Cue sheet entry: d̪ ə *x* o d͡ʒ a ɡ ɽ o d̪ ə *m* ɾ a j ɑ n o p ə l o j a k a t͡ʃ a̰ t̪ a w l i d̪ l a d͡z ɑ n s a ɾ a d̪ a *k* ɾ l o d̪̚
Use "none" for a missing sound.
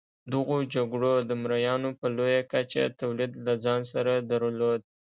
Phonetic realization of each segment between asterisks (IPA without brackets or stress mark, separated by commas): ɣ, m, none